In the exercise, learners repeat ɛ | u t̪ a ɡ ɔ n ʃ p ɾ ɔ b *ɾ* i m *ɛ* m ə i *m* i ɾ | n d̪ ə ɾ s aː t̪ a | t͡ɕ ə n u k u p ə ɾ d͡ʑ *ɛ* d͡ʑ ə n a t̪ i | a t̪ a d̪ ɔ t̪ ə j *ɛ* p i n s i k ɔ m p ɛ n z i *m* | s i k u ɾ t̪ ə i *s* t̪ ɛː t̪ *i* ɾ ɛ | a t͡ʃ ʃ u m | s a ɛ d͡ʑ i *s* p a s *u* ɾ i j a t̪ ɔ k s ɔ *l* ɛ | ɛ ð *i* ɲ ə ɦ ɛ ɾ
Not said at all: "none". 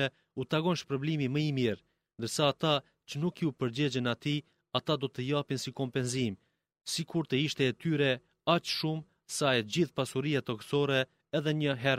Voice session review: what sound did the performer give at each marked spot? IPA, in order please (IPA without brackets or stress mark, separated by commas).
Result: l, i, m, ɛ, a, m, ʃ, y, θ, u, ɾ, ɛ